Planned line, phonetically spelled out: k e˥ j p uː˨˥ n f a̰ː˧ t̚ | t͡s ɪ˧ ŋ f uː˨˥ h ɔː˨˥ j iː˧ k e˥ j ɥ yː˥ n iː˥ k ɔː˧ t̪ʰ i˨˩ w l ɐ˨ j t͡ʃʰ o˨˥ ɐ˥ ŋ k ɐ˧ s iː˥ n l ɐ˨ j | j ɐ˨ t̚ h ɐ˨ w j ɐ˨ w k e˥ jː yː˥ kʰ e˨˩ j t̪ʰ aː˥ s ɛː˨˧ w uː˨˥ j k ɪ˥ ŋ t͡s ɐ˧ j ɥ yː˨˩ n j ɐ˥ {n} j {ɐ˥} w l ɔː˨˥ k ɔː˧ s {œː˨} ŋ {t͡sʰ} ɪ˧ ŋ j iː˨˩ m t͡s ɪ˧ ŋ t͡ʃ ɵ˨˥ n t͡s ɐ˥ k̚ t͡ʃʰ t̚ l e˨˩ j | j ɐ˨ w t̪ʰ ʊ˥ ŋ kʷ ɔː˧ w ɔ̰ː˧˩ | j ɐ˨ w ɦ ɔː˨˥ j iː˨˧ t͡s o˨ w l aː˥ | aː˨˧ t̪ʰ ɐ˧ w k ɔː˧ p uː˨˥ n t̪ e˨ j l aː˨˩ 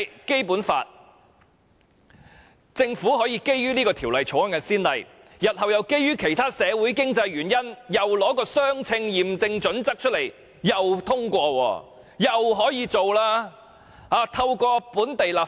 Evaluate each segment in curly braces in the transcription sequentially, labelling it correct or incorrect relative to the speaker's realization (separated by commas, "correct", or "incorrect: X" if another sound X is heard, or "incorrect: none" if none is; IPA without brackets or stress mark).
correct, incorrect: ɐ˨, incorrect: œː˥, correct